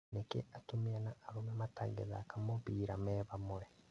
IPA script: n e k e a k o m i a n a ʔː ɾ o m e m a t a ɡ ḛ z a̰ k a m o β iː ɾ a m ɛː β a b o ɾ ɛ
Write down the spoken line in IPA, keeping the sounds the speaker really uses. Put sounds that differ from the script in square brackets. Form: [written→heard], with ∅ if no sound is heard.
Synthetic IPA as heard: n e k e a [k→t] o m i a n a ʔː ɾ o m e m a t a ɡ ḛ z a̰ k a m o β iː ɾ a m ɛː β a [b→m] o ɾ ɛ